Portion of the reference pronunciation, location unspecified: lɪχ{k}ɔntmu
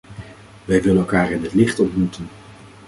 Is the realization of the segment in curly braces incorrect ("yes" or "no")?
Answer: yes